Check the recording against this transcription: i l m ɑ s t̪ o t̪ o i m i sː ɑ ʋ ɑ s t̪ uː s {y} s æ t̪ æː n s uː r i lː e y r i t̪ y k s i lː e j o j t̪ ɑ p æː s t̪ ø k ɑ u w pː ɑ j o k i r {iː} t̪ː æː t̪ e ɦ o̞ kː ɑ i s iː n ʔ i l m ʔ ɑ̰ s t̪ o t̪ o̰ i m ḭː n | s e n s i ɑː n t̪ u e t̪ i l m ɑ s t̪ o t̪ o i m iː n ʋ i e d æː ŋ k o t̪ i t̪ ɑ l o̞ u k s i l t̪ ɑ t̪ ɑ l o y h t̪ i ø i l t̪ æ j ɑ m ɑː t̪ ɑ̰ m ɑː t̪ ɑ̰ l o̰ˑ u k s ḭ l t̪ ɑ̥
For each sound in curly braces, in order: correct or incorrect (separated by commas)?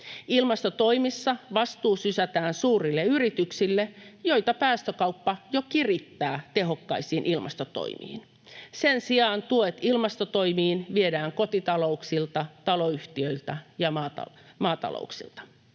correct, incorrect